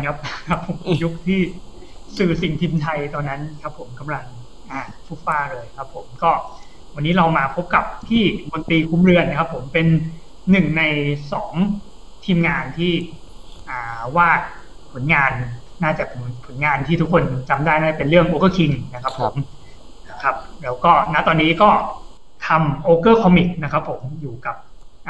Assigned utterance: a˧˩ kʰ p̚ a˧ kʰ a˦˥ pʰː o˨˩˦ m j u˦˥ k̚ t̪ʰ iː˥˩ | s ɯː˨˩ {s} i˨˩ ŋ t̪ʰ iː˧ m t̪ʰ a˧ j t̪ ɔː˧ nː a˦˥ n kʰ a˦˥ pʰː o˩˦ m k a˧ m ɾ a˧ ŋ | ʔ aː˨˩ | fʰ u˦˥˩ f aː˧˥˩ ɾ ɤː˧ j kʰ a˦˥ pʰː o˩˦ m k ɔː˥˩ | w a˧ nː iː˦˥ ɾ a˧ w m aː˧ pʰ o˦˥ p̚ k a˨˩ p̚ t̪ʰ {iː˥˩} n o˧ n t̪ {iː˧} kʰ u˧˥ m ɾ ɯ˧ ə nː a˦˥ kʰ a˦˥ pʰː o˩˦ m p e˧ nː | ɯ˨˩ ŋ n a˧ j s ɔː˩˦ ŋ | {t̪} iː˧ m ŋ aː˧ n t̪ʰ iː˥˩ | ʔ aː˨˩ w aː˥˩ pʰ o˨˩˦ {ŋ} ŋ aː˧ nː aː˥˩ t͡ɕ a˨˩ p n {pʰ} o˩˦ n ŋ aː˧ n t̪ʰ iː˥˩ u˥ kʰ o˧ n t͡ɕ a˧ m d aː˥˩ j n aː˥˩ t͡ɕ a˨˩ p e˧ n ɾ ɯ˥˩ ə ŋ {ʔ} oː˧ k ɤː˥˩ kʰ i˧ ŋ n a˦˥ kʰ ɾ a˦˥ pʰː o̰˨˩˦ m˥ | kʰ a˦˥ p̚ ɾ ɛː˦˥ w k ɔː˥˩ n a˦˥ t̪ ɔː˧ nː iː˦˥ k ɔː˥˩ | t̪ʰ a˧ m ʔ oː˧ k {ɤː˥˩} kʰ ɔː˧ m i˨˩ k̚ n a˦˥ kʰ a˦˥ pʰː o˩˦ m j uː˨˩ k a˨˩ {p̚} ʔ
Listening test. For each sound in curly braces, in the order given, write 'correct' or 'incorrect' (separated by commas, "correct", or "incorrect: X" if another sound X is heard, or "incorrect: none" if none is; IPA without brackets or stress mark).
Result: correct, correct, correct, incorrect: t̪ʰ, incorrect: n, correct, correct, correct, correct